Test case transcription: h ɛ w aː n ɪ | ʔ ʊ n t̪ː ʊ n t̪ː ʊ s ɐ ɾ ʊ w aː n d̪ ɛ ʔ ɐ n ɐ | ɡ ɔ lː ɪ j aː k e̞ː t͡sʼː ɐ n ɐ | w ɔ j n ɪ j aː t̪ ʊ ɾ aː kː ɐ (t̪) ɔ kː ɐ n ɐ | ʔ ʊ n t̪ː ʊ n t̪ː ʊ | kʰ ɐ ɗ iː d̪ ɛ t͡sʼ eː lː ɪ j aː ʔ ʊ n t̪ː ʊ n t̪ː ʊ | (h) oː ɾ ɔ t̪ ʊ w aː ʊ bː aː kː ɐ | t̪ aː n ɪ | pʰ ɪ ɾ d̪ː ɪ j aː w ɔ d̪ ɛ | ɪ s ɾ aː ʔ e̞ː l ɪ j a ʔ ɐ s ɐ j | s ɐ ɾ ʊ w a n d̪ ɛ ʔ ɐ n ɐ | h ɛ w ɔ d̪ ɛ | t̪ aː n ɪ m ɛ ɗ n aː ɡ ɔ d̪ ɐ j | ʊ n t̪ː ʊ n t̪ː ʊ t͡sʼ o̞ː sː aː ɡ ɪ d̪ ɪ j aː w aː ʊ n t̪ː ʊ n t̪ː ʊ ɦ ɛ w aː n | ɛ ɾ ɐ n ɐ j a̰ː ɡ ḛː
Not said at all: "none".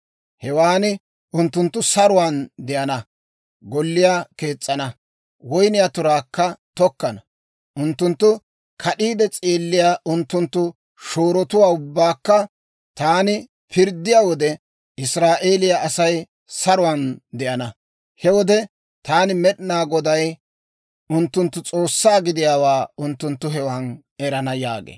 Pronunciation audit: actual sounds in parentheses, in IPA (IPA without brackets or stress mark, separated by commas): t̪, ʃ